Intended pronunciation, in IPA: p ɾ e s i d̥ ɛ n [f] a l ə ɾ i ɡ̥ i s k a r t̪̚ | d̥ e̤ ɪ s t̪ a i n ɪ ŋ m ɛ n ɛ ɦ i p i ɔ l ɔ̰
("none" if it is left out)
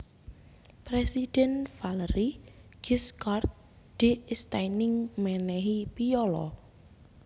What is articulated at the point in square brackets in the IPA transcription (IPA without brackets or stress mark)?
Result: f